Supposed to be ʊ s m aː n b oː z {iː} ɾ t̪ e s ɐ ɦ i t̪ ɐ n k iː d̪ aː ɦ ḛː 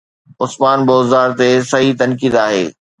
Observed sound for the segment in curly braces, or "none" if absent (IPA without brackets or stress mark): aː